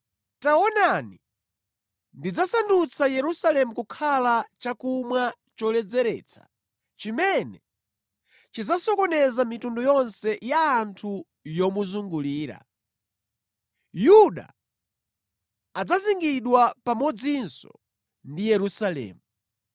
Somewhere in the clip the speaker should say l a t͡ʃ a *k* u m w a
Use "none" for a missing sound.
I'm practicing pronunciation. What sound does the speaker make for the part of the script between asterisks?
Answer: k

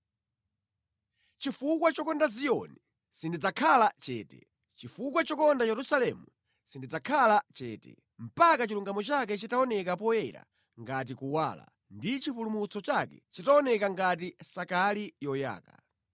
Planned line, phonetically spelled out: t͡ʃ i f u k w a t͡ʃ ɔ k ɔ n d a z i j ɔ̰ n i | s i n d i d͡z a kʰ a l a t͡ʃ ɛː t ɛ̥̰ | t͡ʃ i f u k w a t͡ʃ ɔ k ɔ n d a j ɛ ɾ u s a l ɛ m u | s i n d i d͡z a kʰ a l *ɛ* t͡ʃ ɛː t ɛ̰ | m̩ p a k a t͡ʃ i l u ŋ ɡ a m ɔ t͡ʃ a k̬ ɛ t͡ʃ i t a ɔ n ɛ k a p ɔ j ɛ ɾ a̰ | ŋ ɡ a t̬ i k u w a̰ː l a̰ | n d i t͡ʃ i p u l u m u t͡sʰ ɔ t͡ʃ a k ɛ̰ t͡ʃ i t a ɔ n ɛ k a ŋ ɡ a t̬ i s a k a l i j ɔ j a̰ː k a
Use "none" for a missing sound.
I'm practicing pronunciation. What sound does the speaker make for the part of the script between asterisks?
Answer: a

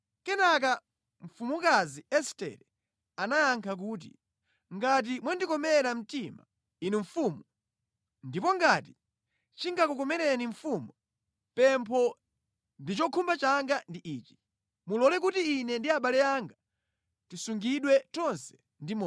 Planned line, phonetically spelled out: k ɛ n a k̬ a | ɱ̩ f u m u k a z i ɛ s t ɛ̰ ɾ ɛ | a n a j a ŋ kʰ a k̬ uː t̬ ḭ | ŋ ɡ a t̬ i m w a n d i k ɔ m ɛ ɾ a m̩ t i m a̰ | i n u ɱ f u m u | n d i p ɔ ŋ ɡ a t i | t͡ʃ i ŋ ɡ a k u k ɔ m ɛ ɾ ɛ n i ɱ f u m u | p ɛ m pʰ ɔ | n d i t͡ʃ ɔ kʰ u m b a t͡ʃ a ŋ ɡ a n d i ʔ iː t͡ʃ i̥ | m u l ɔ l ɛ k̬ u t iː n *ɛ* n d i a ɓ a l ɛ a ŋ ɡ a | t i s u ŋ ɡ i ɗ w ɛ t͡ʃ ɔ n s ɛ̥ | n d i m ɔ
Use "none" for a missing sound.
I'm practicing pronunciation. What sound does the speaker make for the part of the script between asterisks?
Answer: ɛ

